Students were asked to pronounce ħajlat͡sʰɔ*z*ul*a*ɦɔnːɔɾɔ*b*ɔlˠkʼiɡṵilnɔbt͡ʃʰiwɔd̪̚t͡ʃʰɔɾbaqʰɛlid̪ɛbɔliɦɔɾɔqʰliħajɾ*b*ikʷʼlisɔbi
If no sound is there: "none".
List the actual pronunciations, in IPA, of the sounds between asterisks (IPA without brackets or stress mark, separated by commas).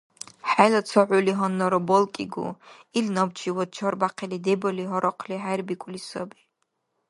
ʕ, i, b, b